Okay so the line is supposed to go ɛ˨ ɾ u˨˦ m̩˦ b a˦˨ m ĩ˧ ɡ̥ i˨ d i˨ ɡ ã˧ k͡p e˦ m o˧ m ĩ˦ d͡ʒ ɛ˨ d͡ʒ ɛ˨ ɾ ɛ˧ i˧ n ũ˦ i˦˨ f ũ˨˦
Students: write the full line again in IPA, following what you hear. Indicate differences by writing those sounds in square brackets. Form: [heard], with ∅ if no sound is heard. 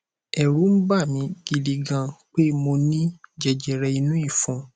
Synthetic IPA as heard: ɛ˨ ɾ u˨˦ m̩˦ b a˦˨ m ĩ˧ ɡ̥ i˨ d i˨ ɡ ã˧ k͡p e˦ m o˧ [n] ĩ˦ d͡ʒ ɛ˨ d͡ʒ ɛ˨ ɾ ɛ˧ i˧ n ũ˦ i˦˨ f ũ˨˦